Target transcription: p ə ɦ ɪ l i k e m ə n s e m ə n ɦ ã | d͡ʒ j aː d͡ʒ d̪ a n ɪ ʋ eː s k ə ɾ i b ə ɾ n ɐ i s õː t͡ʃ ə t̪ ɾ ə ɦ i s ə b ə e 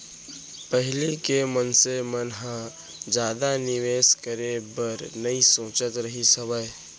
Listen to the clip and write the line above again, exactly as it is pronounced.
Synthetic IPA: p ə ɦ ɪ l i k e m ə n s e m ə n ɦ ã | d͡ʒ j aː d̪ a n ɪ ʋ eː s k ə ɾ e b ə ɾ n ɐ i s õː t͡ʃ ə t̪ ɾ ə ɦ i s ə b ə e